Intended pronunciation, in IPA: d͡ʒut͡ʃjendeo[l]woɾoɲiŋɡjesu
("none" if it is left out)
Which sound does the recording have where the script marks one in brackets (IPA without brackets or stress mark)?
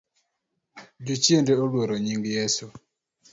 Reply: l